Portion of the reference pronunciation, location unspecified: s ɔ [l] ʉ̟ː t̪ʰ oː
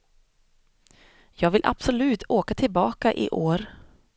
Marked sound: correct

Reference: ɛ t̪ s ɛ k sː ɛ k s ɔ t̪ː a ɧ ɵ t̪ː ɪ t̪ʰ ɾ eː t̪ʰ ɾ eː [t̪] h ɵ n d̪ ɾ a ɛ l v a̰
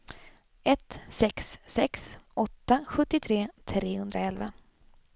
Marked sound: incorrect: none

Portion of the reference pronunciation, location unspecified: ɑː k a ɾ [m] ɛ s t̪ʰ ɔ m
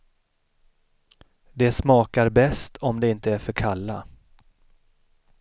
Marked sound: incorrect: b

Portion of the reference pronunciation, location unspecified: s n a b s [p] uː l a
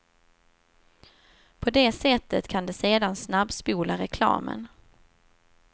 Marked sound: correct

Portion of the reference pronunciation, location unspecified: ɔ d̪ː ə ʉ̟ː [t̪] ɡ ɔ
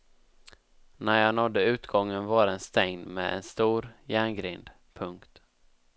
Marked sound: correct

